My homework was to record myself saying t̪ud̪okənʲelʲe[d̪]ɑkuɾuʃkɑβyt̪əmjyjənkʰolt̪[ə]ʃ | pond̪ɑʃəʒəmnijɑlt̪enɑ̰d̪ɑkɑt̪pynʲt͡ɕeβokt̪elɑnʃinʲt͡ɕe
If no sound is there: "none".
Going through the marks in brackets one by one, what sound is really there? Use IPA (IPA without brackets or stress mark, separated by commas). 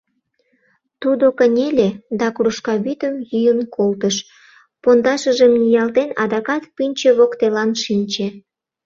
d̪, ə